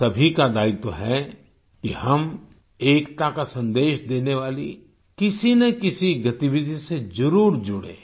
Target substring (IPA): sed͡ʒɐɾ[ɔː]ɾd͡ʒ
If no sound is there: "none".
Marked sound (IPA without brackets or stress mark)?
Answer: uː